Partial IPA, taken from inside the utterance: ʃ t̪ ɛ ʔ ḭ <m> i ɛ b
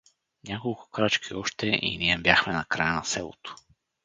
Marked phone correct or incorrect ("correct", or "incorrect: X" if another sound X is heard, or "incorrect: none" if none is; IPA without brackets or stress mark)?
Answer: incorrect: n